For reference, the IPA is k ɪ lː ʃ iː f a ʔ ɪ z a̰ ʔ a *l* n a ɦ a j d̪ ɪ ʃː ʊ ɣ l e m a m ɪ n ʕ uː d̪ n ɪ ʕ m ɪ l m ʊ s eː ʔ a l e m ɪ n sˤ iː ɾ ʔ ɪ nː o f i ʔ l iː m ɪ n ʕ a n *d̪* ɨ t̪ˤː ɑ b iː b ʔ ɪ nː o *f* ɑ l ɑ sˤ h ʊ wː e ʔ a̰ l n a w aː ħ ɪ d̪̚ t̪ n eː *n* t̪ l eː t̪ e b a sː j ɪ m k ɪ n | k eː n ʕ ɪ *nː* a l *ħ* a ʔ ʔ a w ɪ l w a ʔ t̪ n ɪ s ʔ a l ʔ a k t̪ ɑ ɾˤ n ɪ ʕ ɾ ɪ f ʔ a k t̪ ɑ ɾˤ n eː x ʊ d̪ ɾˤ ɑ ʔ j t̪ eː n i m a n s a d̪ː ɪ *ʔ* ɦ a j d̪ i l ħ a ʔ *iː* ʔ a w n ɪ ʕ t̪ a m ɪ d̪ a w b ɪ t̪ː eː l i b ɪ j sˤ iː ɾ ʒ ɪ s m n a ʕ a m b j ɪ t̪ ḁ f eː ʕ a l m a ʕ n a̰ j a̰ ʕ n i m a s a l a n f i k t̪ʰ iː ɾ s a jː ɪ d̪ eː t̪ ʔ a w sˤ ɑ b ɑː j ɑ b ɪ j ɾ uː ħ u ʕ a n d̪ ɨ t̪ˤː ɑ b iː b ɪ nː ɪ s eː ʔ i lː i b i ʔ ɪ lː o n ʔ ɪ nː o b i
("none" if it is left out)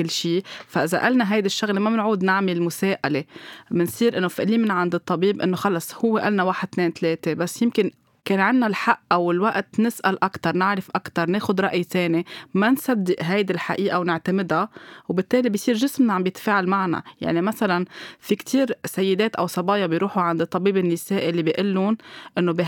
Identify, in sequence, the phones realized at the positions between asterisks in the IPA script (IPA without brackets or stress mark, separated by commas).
l, d̪, x, n, nː, ħ, ʔ, iː